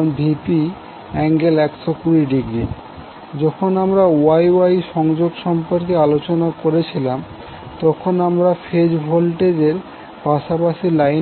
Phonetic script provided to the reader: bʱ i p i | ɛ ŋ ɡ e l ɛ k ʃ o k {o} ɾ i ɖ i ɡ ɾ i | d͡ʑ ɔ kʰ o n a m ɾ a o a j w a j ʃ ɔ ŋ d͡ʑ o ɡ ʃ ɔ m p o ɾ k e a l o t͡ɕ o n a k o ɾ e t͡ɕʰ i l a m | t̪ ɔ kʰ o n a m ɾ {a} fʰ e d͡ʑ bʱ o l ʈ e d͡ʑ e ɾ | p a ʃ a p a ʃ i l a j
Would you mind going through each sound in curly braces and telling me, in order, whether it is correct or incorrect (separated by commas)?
incorrect, correct